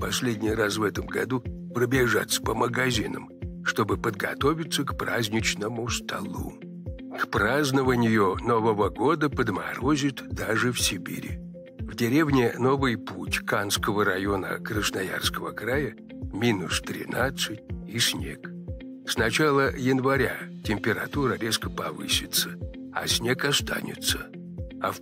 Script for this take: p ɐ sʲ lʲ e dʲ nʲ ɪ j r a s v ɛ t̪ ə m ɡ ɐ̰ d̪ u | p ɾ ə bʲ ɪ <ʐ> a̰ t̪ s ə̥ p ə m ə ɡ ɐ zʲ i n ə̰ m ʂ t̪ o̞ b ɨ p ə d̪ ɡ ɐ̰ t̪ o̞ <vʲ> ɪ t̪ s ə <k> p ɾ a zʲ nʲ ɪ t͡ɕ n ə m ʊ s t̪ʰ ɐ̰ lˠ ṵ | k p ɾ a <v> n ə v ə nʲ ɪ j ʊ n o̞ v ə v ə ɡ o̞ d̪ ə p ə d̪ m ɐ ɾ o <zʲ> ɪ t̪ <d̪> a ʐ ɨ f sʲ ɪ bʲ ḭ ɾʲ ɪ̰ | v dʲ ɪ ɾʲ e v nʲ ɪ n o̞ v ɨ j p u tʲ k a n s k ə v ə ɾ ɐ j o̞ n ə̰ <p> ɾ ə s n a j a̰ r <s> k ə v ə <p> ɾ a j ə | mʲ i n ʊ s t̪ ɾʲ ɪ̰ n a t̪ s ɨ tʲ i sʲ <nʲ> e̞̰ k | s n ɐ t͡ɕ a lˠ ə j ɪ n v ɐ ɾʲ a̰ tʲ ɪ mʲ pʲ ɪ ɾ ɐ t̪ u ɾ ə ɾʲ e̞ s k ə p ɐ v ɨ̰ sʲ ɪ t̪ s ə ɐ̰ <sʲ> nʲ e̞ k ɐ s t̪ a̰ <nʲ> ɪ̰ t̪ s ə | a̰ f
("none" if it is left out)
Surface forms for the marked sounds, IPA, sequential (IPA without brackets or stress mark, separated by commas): ʐ, vʲ, k, z, zʲ, d̪, k, s, k, nʲ, sʲ, nʲ